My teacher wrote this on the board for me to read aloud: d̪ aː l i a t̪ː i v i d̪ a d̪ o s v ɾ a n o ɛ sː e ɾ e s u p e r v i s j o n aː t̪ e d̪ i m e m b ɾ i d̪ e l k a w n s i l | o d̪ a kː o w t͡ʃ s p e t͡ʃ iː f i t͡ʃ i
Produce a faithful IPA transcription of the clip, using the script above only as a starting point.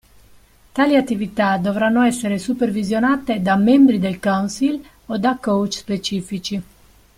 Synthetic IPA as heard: t̪ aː l i a t̪ː i v i t̪ a d̪ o v ɾ a nː o ɛ sː e ɾ e s u p e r v i z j o n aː t̪ e d̪ a m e m b ɾ i d̪ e l k a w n s i l | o d̪ a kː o w t͡ʃ s p e t͡ʃ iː f i t͡ʃ i